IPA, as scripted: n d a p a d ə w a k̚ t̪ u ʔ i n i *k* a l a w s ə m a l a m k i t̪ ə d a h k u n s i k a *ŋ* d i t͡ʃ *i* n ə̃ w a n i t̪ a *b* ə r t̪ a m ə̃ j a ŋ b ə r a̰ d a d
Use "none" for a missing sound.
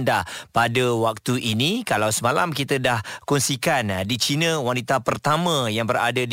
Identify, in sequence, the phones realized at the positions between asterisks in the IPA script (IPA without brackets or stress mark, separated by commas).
k, n, i, p